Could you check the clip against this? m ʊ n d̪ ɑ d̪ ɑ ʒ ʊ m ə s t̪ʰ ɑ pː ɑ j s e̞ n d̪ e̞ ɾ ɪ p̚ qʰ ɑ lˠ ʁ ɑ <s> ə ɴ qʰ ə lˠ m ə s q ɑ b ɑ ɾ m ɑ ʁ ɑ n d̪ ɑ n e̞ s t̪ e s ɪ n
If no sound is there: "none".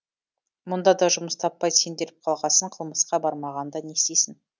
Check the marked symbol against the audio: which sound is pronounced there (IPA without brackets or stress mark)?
s